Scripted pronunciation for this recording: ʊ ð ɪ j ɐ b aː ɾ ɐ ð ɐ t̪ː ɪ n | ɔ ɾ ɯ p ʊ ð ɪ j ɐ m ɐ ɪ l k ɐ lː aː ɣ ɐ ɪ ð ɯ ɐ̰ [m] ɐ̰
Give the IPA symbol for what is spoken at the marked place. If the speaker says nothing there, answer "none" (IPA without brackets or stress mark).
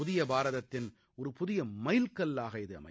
m